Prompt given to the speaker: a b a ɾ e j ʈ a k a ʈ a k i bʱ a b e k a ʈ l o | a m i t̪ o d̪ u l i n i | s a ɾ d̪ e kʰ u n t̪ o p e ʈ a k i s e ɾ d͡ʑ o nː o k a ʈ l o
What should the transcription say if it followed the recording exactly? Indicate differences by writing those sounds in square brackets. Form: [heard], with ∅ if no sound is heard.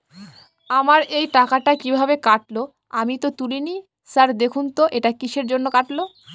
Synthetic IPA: a [m] a ɾ e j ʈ a k a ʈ a k i bʱ a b e k a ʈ l o | a m i t̪ o [t̪] u l i n i | s a ɾ d̪ e kʰ u n t̪ o [ʔ] e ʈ a k i [ʃ] e ɾ d͡ʑ o nː o k a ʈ l o

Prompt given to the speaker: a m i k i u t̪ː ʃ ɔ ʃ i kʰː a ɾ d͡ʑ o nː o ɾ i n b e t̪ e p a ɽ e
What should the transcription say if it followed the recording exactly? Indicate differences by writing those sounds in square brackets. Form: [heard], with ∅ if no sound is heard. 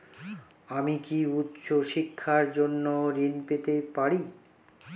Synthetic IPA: a m i k i u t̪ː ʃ [o] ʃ i kʰː a ɾ d͡ʑ o nː o ɾ i n [p] e t̪ e p a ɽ [i]

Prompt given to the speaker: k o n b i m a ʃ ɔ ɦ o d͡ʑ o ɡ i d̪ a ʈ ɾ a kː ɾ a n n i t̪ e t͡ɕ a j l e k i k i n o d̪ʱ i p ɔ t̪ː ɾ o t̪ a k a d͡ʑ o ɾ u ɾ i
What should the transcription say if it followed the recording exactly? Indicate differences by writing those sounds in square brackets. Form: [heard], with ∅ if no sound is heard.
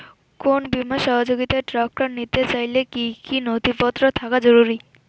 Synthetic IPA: k o n b i m a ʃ ɔ ɦ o d͡ʑ o ɡ i [t̪] a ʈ ɾ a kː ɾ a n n i t̪ e t͡ɕ a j l e k i k i n o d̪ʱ i p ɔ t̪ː ɾ o [t̪ʰ] a k a d͡ʑ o ɾ u ɾ i

